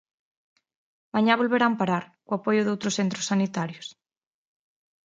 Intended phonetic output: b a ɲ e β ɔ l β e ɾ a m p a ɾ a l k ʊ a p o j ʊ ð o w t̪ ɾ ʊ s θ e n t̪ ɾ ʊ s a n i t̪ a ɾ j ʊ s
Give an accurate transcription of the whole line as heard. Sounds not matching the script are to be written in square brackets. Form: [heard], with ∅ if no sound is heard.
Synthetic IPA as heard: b a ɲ [a] β [o] l β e ɾ a m p a ɾ a [ɾ] k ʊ a p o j ʊ ð o w t̪ ɾ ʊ s θ e n t̪ ɾ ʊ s a n i t̪ a ɾ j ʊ s